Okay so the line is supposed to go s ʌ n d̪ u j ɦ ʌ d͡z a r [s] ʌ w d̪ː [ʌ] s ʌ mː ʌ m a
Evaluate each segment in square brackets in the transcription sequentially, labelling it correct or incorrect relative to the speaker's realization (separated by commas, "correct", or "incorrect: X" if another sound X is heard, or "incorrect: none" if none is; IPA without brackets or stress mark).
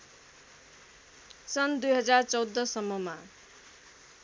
incorrect: t͡s, correct